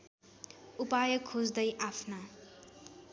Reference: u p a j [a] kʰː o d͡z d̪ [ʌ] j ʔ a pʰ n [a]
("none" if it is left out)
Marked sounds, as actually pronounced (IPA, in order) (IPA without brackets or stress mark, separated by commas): ʌ, ʌ, a